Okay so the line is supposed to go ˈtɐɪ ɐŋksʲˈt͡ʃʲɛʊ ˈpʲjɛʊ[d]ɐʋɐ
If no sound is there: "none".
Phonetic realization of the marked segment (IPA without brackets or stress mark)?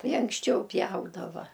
d